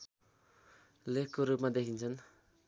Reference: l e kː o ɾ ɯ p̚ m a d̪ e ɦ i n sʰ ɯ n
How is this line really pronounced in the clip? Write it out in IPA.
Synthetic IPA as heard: l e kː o ɾ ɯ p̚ m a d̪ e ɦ i n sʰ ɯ n